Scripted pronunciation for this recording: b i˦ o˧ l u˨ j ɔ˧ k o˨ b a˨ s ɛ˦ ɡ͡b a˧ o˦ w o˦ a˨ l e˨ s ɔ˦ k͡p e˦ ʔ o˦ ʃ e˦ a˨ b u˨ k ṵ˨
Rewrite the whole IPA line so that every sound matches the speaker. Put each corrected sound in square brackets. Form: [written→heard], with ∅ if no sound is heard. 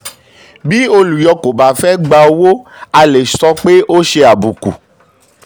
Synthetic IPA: b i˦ o˧ l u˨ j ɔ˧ k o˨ b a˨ [s→f] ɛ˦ ɡ͡b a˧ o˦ w o˦ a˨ l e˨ s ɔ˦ k͡p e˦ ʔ o˦ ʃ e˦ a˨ b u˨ k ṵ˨